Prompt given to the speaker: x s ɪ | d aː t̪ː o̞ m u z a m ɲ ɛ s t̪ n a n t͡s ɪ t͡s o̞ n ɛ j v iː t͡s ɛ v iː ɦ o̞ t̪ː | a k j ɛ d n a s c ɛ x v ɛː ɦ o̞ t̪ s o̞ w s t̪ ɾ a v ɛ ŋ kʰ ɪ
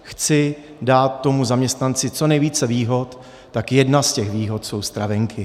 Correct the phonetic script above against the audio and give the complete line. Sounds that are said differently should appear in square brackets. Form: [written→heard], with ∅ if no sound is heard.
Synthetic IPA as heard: x [s→t͡s] ɪ | d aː t̪ː o̞ m u z a m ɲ ɛ s t̪ n a n t͡s ɪ t͡s o̞ n ɛ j v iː t͡s ɛ v iː ɦ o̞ t̪ː | a k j ɛ d n a s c ɛ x v [ɛː→iː] ɦ o̞ t̪ s o̞ w s t̪ ɾ a v ɛ ŋ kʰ ɪ